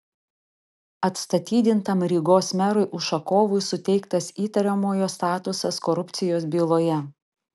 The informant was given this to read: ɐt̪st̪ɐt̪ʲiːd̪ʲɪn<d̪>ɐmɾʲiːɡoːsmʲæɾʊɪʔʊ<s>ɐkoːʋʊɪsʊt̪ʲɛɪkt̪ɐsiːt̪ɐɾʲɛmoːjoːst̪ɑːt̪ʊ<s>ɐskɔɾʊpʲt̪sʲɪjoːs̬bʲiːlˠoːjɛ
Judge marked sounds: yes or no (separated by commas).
no, no, yes